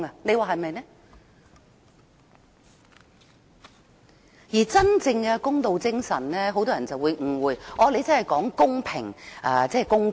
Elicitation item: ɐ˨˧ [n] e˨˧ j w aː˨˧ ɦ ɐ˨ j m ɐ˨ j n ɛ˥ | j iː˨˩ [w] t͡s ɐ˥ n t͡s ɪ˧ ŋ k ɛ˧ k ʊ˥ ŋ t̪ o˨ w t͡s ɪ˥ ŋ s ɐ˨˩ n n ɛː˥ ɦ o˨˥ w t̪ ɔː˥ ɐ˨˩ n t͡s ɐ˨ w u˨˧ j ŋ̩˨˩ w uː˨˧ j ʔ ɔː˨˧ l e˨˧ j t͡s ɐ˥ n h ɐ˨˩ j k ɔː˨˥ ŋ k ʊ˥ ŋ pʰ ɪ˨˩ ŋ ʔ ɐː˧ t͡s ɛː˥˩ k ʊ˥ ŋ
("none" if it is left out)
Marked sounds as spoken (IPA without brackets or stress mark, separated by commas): n, none